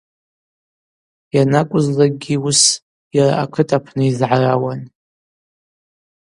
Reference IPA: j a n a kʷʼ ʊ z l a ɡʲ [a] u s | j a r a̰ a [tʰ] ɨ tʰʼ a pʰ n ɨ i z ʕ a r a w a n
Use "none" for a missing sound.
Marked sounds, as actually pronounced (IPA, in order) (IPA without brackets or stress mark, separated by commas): i, kʰ